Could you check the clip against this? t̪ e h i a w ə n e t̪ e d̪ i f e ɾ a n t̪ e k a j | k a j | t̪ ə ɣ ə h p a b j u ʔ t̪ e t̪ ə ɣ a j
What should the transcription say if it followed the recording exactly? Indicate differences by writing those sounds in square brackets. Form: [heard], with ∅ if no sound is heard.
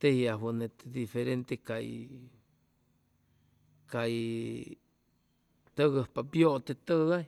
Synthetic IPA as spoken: t̪ e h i a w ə n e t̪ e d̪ i f e ɾ [e] n t̪ e k a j | k a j | t̪ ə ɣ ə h p a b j [o] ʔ t̪ e t̪ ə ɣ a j